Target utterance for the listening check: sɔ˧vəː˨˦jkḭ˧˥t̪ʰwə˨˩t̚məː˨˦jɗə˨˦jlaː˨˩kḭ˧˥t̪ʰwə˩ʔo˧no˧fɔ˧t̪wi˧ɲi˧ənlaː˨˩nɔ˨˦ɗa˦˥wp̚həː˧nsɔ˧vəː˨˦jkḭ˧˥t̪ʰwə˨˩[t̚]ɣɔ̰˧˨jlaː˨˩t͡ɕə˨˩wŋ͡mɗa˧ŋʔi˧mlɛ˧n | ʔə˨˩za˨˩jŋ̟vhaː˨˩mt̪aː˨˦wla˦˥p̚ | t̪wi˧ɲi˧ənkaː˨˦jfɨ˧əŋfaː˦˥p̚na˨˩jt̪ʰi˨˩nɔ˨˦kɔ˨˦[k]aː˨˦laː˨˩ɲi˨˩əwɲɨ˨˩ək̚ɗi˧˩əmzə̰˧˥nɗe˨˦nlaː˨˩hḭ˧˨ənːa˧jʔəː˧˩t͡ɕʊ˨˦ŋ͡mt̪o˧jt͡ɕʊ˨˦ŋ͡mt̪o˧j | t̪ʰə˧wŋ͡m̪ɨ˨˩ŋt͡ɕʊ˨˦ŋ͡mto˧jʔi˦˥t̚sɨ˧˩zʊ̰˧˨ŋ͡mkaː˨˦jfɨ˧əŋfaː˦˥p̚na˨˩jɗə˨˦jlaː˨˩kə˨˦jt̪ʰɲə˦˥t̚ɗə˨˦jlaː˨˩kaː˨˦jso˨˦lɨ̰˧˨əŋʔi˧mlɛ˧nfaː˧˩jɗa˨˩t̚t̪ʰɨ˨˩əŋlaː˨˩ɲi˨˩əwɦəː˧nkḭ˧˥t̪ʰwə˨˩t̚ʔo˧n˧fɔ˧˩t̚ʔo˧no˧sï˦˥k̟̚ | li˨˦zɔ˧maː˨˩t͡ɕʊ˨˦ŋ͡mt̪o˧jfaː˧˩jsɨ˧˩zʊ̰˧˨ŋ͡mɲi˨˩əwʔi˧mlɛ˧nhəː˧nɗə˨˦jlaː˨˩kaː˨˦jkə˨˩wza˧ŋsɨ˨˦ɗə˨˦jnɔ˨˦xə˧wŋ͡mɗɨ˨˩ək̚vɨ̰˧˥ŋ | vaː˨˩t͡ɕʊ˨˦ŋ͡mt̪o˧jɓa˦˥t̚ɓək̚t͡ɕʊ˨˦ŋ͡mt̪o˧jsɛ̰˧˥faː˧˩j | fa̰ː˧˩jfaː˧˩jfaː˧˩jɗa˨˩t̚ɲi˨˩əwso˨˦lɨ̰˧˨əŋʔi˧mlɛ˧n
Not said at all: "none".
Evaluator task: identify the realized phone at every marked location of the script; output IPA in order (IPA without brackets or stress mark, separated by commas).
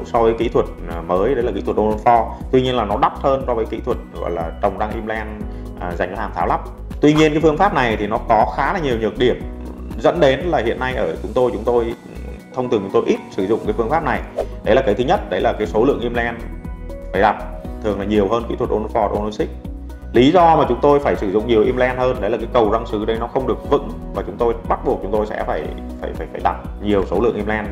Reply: t̚, x